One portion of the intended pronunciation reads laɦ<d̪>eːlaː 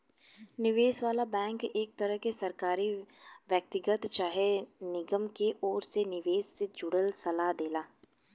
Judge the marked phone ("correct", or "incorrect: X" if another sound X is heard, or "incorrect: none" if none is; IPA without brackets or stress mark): correct